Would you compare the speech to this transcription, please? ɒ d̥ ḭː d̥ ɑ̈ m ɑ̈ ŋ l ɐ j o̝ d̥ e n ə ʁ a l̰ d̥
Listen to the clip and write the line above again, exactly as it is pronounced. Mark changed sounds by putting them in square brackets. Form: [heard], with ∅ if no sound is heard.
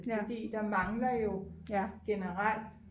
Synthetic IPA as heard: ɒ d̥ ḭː d̥ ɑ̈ m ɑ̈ ŋ l ɐ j o̝ [ɡ̥] e n ə ʁ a l̰ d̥